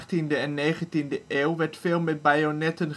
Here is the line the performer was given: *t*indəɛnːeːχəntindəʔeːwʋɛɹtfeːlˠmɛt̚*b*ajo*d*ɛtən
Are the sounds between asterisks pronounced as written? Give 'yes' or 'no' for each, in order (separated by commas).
yes, yes, no